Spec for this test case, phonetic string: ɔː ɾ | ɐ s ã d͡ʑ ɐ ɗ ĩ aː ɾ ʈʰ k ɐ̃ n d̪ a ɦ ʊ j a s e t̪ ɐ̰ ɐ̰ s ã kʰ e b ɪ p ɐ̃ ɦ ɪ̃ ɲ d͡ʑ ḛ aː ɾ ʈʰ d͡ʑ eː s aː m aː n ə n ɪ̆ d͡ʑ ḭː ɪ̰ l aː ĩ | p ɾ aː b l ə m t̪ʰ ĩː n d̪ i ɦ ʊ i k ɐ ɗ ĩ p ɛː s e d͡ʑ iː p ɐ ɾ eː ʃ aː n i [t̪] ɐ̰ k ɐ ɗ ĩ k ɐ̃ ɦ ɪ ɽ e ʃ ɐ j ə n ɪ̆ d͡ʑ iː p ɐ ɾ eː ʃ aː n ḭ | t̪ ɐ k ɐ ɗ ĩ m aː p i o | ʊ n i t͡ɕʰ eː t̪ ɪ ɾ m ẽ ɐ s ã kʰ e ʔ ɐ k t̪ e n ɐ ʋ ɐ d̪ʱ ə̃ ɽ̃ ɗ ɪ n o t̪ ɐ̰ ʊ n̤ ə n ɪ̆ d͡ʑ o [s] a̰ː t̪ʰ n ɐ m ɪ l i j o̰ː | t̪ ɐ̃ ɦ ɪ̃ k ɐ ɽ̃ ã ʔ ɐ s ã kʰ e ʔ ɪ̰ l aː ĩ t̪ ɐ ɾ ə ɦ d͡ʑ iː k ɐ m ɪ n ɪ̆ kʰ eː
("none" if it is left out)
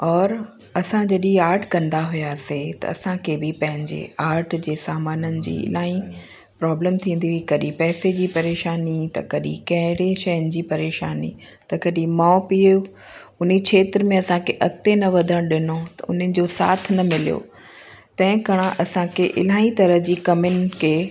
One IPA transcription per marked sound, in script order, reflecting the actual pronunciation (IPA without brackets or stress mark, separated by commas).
t̪, s